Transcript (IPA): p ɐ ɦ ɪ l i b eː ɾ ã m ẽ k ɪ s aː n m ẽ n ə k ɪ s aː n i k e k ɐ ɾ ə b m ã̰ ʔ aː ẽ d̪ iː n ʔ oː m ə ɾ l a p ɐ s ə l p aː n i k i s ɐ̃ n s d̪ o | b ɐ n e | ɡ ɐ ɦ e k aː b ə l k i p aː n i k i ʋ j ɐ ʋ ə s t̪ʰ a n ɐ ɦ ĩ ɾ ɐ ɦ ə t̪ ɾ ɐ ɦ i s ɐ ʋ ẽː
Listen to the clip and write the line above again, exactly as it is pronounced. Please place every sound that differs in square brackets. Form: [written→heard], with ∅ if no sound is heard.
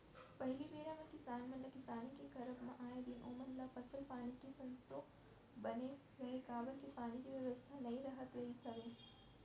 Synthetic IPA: p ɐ ɦ ɪ l i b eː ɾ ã m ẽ k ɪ s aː n m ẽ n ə k ɪ s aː n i k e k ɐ ɾ ə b m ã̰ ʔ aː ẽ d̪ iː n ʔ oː m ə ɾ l a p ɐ s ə l p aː n i k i s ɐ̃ n s [d̪→t̪] o | b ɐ n e | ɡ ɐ ɦ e k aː b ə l k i p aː n i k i ʋ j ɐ ʋ ə s t̪ʰ a n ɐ ɦ ĩ ɾ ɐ ɦ ə t̪ ɾ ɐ ɦ i s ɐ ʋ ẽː